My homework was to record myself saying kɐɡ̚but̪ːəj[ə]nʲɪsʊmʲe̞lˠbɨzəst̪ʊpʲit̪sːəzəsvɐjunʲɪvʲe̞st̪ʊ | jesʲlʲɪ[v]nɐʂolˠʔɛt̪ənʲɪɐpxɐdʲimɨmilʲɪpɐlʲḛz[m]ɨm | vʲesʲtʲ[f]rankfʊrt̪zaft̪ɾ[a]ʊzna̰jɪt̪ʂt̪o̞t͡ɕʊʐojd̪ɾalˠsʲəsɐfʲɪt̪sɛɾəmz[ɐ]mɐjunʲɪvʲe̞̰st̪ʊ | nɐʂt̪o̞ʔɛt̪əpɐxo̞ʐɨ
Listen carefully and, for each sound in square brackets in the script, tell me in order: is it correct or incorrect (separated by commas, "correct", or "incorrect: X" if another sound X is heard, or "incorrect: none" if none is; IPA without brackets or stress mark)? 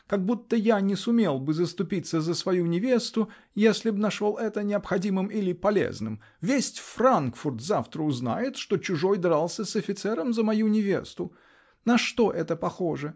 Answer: incorrect: a, incorrect: b, incorrect: n, correct, incorrect: ə, incorrect: ə